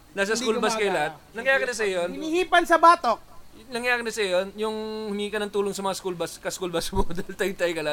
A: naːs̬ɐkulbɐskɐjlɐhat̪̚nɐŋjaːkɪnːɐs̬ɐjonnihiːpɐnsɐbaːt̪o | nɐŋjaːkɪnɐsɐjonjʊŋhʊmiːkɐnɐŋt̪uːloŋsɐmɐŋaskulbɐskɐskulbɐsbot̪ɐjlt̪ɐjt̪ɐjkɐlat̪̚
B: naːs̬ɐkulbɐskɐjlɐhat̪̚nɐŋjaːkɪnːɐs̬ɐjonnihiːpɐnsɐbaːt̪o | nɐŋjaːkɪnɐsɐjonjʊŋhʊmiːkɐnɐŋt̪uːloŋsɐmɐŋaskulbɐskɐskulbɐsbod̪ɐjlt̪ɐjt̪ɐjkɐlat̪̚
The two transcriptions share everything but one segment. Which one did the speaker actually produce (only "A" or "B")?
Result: B